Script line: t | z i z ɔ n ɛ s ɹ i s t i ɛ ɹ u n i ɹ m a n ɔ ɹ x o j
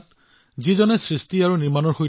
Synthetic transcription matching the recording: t | z i z ɔ n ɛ s ɹ i s t i a ɹ u n i ɹ m a n ɔ ɹ x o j